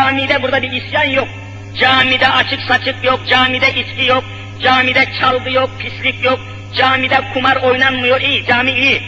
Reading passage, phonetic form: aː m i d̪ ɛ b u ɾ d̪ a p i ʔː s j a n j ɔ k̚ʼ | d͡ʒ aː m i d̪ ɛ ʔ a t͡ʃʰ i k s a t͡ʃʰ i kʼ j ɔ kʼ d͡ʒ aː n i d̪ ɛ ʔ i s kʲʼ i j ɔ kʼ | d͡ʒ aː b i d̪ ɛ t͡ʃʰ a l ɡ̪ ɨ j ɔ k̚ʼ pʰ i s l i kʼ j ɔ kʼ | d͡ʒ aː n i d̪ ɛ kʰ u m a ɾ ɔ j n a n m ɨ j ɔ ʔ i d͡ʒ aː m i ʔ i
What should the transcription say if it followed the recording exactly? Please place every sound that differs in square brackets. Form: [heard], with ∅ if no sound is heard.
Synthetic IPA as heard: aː m i d̪ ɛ b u ɾ d̪ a [b] i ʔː s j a n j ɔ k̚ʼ | d͡ʒ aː m i d̪ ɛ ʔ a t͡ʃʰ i k s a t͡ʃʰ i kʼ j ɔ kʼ d͡ʒ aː [m] i d̪ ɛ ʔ i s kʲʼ i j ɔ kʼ | d͡ʒ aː [m] i d̪ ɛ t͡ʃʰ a l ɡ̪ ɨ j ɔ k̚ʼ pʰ i s l i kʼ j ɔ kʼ | d͡ʒ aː [m] i d̪ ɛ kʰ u m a ɾ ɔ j n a n m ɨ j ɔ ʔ i d͡ʒ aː m i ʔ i